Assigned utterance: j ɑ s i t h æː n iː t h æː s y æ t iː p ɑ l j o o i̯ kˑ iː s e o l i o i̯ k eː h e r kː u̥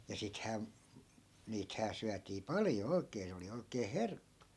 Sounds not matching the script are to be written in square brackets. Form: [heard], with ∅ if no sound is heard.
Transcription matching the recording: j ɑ s i t h æː n iː t h æː s y æ t iː p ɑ l j o o i̯ kˑ [eː] s e o l i o i̯ k eː h e r kː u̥